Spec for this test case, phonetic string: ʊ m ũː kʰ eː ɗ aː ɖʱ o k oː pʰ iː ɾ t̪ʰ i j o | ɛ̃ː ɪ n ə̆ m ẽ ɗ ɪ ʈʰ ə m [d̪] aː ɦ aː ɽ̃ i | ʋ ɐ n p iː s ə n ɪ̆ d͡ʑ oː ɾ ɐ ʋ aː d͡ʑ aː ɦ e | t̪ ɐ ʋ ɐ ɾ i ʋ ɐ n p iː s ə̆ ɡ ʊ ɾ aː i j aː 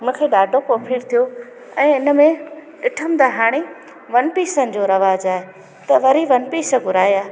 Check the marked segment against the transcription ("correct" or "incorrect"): correct